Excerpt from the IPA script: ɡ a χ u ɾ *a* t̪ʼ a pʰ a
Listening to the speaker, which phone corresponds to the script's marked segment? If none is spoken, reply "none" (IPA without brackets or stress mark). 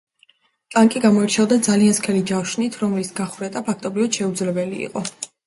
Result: ɛ